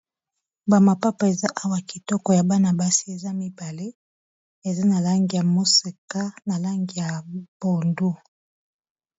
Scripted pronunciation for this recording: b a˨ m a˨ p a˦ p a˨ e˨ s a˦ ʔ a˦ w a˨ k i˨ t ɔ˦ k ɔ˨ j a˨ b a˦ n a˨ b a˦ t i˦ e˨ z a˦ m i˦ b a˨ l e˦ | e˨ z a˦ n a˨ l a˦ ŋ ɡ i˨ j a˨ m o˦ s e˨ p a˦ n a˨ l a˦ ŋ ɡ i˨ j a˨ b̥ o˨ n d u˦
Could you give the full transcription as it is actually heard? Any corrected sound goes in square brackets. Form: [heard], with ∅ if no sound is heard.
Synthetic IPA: b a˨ m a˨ p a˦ p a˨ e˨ [z] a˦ ʔ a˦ w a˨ k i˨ t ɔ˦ k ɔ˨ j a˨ b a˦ n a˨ b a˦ [s] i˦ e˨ z a˦ m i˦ b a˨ l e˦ | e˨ z a˦ n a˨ l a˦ ŋ ɡ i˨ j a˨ m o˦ s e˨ [k] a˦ n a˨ l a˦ ŋ ɡ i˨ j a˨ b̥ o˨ n d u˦